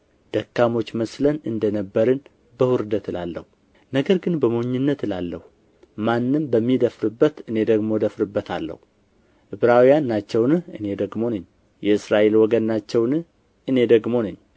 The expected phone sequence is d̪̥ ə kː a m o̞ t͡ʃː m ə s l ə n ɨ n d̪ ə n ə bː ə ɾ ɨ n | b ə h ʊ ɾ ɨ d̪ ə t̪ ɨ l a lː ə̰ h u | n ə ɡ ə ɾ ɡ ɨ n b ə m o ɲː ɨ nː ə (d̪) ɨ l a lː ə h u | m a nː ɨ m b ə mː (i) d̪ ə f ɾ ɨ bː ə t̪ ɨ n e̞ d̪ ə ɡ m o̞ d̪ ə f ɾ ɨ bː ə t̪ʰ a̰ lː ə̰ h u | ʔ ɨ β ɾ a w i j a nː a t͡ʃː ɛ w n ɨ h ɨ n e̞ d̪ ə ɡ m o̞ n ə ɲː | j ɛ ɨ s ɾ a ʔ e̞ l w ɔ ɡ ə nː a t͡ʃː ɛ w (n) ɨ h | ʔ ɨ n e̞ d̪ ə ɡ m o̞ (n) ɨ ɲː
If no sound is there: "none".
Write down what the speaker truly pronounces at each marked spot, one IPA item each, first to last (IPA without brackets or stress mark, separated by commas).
t̪, i, n, n